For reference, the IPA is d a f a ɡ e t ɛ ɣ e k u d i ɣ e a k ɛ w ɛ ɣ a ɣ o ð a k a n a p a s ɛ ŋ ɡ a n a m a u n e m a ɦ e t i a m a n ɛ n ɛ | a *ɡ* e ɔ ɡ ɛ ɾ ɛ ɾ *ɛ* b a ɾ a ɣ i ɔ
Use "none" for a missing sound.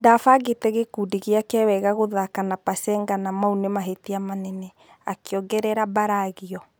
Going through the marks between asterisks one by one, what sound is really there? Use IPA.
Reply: k, a

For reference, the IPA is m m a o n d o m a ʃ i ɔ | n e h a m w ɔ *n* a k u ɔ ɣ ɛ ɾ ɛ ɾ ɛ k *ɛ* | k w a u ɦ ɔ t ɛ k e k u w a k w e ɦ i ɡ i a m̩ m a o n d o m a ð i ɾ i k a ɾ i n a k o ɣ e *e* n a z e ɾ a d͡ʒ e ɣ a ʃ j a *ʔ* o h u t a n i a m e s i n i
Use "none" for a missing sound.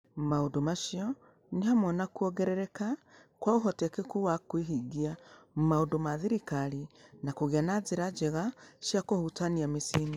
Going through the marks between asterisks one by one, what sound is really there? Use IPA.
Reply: n, a, a, k

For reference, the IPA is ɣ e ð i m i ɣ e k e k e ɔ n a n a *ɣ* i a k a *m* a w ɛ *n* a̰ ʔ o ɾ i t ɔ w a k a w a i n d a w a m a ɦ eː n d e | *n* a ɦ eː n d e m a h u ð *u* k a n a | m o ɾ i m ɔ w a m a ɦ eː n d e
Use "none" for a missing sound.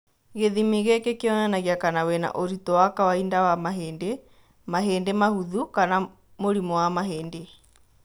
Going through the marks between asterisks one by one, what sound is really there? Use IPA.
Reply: ɣ, n, n, m, u

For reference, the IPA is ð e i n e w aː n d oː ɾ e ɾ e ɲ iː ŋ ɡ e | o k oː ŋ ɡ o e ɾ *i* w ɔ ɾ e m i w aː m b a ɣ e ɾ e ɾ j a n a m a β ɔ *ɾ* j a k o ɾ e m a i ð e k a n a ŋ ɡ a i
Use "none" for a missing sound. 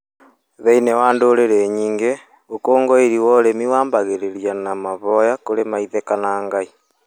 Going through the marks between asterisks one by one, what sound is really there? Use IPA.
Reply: i, none

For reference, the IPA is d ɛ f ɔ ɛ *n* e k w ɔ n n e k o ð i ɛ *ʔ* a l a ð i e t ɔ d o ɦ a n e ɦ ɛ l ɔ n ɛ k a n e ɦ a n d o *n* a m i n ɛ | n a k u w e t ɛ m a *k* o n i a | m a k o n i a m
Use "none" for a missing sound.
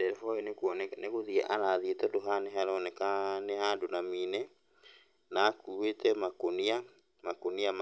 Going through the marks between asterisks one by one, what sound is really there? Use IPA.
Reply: n, ʔ, n, k

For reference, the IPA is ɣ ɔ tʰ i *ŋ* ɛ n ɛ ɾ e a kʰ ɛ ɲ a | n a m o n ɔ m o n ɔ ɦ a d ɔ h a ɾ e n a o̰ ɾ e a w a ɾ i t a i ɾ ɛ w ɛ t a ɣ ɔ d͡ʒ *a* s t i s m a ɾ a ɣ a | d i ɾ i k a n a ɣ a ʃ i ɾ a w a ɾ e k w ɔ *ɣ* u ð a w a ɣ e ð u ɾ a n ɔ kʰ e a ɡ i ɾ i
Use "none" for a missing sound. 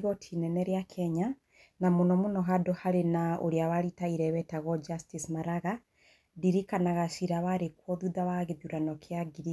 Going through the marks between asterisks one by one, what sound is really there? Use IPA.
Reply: n, a, ð

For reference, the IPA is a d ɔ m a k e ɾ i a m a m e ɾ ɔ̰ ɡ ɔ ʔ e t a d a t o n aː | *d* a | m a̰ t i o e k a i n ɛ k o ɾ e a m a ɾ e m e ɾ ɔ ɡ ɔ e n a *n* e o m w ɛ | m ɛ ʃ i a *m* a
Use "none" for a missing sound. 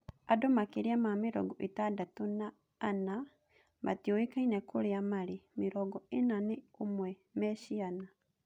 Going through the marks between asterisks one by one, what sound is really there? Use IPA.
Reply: n, n, n

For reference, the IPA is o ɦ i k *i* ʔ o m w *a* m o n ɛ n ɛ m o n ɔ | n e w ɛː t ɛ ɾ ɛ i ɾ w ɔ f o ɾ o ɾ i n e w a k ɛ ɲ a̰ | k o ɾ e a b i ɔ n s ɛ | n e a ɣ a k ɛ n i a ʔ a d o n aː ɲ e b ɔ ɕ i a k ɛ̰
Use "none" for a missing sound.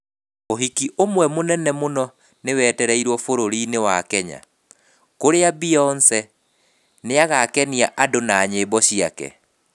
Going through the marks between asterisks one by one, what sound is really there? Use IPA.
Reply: i, ɛ

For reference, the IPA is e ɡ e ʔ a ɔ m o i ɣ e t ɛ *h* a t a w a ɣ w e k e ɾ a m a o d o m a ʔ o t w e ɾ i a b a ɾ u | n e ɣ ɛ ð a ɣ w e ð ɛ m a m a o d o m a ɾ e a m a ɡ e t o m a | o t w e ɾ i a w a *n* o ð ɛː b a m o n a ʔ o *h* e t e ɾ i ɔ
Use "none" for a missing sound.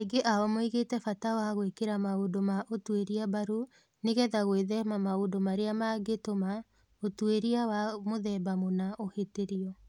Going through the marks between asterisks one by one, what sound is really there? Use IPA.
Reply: f, m, h

